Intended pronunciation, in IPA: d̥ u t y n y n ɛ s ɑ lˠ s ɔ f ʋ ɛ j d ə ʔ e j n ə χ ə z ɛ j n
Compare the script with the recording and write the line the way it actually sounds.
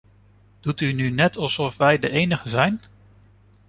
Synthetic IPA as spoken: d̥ u t y n y n ɛ t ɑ lˠ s ɔ f ʋ ɛ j d ə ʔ e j n ə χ ə z ɛ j n